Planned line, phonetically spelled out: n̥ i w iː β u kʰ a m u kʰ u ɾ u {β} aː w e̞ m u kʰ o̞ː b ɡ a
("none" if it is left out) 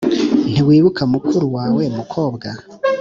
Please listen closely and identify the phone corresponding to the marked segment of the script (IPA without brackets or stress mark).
w